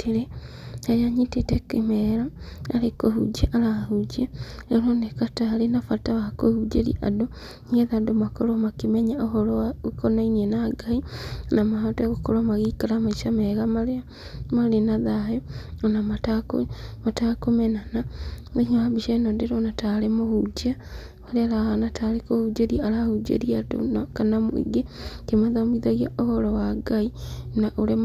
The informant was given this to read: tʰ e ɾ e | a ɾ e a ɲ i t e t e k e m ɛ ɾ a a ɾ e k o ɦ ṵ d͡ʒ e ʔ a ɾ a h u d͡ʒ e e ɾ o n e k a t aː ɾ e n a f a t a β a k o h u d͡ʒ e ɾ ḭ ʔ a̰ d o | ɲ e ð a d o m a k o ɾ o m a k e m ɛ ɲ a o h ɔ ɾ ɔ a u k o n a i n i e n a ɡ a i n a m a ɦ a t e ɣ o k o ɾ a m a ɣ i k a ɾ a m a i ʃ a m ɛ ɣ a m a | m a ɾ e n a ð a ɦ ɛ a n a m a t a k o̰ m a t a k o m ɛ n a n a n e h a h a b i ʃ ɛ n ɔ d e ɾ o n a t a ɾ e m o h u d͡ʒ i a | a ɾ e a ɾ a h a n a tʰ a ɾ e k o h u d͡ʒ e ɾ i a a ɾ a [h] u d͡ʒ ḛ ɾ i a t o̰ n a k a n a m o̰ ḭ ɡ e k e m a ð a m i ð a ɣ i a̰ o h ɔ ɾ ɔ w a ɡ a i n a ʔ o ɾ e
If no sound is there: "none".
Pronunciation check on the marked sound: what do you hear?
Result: h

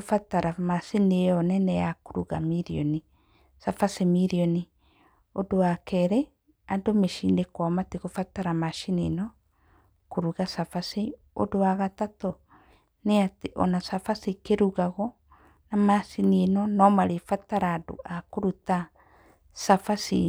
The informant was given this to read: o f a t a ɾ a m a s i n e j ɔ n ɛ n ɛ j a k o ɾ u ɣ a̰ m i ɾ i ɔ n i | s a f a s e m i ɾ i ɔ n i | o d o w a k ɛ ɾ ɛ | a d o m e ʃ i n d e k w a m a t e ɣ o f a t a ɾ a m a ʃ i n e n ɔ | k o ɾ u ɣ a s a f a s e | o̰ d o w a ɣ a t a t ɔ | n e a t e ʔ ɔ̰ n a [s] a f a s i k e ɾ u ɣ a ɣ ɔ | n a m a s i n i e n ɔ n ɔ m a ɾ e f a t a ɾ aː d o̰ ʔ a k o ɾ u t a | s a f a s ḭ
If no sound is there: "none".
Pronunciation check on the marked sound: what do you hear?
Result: s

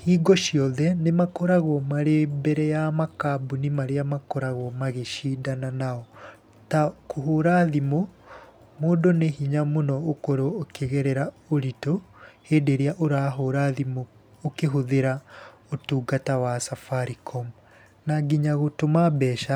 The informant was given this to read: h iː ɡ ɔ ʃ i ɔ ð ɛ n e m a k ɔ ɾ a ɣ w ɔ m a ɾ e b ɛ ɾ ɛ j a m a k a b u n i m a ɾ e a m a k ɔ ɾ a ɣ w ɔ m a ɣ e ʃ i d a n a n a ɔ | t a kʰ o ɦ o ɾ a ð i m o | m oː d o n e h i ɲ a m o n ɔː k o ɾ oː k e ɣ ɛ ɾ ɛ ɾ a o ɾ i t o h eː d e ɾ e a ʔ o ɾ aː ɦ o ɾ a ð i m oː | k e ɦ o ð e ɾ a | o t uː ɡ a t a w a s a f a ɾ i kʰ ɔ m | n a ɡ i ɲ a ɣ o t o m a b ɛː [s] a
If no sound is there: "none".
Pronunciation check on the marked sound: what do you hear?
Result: ʃ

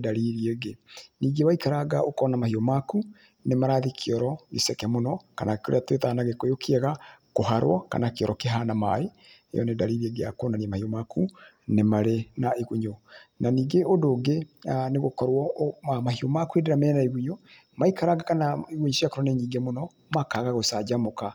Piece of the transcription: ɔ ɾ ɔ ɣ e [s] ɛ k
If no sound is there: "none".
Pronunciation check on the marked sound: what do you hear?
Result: s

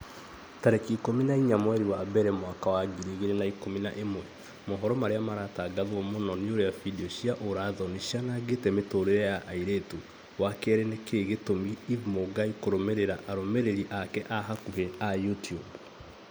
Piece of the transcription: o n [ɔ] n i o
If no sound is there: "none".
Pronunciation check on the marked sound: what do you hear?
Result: ɔ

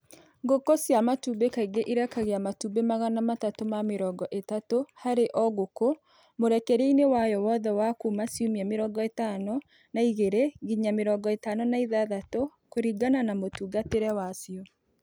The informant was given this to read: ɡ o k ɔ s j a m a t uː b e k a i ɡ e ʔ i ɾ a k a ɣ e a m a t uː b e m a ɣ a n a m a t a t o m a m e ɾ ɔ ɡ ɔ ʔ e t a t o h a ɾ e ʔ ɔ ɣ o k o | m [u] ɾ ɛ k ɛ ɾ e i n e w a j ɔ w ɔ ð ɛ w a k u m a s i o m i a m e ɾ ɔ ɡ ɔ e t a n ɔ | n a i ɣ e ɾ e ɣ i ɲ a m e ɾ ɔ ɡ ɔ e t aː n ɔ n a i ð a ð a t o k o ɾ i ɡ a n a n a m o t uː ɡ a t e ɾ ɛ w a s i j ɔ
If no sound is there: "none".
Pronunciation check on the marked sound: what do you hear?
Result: o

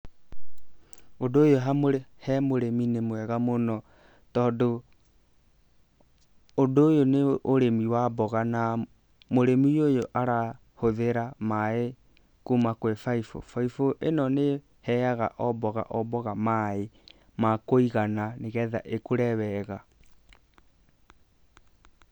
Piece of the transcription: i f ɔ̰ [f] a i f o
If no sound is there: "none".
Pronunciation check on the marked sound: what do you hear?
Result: f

